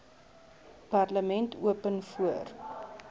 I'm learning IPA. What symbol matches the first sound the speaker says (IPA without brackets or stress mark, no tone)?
p